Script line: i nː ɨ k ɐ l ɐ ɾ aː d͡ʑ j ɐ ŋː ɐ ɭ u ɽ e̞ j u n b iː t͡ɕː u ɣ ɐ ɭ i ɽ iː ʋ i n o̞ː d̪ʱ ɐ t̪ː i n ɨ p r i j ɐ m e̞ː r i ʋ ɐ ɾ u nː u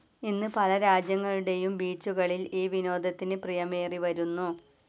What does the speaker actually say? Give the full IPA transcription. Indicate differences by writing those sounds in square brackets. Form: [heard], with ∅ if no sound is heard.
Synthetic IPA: i nː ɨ [p] ɐ l ɐ ɾ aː d͡ʑ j ɐ ŋː ɐ ɭ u ɽ e̞ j u [m] b iː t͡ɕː u ɣ ɐ ɭ i [l] iː ʋ i n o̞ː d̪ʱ ɐ t̪ː i n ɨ p r i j ɐ m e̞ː r i ʋ ɐ ɾ u nː u